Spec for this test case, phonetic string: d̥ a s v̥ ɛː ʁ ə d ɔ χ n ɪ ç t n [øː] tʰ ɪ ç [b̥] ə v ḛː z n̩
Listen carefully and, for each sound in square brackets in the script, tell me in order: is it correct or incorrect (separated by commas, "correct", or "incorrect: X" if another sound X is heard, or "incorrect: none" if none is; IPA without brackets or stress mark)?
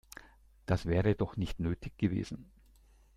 correct, incorrect: ɡ̥